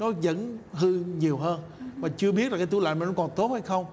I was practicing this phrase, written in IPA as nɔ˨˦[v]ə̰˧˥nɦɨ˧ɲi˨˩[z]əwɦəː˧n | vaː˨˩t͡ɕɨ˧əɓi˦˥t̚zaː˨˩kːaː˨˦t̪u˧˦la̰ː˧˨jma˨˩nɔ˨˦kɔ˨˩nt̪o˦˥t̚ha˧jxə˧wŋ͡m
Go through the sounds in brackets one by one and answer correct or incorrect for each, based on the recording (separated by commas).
incorrect, incorrect